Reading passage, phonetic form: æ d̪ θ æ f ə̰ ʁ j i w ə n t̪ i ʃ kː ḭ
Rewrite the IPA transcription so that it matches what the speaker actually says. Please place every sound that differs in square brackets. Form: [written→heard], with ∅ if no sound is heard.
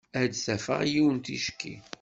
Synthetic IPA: æ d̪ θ æ f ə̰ ʁ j i w ə n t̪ i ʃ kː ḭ